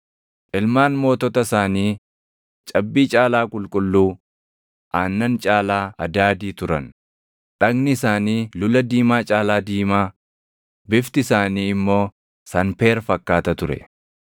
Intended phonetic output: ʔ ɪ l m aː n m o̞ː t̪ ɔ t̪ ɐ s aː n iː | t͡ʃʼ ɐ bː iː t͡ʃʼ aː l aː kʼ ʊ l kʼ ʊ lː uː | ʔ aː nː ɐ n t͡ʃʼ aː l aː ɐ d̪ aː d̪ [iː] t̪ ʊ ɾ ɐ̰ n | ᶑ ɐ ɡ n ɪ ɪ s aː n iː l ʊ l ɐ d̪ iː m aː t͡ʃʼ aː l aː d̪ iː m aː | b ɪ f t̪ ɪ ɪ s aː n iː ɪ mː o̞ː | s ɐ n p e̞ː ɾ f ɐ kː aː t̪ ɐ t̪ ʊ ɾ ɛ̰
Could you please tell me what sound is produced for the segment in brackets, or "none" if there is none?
iː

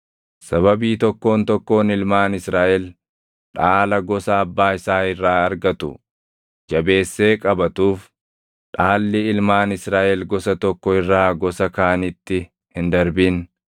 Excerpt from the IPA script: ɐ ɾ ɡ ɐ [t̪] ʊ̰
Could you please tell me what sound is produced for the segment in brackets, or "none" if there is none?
t̪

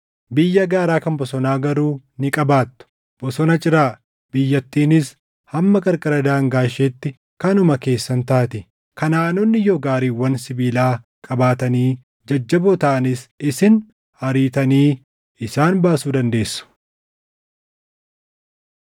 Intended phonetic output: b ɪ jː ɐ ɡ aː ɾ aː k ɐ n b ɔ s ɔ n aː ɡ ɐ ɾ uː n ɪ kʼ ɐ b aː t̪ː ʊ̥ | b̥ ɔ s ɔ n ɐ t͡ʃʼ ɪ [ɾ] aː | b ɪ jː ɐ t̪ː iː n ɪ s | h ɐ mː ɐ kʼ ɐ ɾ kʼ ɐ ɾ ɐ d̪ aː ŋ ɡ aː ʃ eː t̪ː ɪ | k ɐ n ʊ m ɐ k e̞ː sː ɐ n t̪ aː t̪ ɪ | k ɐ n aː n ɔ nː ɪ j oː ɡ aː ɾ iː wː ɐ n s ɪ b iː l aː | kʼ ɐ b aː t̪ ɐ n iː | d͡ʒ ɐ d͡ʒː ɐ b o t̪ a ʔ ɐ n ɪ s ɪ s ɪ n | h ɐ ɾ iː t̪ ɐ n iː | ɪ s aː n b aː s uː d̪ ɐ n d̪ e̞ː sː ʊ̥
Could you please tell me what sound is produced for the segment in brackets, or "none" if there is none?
ɾ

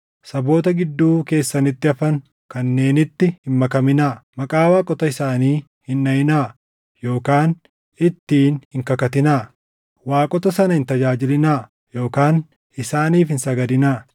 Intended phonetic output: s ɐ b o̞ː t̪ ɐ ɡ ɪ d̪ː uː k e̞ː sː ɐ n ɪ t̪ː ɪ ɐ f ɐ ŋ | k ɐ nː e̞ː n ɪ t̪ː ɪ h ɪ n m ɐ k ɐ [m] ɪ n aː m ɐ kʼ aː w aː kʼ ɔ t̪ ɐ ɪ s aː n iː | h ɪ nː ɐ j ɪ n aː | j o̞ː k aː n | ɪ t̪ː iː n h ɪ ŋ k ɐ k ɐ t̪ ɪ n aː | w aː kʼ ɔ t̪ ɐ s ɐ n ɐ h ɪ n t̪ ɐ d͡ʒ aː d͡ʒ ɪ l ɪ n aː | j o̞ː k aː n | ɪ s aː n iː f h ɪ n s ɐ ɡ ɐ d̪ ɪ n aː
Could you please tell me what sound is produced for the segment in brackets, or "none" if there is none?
m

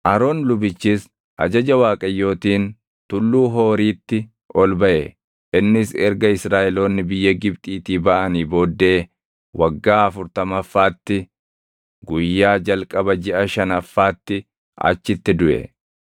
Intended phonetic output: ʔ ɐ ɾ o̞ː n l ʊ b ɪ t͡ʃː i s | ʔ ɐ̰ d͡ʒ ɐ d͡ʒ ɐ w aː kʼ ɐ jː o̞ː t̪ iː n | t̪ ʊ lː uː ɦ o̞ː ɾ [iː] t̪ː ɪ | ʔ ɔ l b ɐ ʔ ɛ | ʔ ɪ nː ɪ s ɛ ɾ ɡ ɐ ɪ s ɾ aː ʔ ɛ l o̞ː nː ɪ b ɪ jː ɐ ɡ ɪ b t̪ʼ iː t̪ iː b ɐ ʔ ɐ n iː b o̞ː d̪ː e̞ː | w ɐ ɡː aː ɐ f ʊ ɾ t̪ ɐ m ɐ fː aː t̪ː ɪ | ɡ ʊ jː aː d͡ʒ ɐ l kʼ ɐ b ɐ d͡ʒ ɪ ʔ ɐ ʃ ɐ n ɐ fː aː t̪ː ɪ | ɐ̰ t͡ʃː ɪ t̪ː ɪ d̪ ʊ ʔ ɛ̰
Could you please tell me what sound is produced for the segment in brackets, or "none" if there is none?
iː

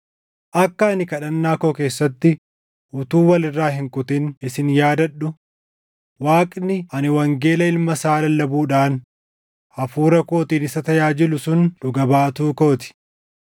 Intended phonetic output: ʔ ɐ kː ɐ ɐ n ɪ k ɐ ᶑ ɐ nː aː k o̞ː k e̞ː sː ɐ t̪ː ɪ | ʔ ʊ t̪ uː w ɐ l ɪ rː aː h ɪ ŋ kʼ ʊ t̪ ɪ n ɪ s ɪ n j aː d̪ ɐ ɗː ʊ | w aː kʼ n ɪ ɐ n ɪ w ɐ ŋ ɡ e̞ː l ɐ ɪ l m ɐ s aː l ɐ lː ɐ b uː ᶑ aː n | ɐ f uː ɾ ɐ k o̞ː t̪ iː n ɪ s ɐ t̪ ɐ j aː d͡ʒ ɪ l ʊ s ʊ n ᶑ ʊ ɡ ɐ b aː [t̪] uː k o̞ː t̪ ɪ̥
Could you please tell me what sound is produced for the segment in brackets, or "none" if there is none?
t̪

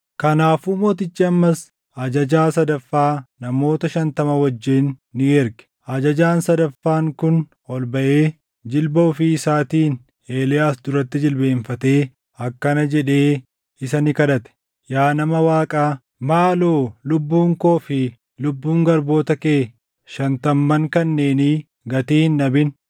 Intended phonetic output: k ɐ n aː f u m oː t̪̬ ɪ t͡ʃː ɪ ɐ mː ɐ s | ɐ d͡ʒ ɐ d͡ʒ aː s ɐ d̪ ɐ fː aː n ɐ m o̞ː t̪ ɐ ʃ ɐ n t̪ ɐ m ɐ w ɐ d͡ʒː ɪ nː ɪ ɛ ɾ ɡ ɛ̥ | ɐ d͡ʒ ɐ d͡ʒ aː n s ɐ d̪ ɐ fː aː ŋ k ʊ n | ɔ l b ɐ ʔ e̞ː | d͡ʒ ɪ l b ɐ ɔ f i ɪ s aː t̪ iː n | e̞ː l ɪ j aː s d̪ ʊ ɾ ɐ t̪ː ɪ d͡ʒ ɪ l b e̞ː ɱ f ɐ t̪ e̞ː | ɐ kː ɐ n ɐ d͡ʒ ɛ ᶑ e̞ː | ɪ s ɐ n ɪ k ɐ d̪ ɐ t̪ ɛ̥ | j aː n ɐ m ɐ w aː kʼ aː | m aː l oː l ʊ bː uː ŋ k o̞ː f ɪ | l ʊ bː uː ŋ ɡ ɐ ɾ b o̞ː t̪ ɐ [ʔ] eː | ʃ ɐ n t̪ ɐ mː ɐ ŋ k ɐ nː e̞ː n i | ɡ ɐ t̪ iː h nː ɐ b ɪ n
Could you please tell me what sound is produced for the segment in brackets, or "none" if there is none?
k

